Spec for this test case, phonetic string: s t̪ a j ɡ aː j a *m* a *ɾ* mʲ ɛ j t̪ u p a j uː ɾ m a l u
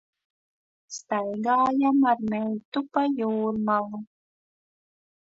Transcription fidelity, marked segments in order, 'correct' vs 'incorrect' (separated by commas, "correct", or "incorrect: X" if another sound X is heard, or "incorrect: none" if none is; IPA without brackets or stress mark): correct, correct